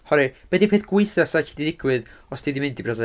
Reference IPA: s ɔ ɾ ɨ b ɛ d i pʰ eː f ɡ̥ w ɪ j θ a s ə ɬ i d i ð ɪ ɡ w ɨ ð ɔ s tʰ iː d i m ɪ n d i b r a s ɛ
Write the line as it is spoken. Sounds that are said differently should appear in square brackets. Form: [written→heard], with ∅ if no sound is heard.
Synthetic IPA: [s→h] ɔ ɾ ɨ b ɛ d i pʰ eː [f→θ] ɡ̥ w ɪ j θ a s [ə→a] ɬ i d i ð ɪ ɡ w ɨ ð ɔ s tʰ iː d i m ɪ n d i b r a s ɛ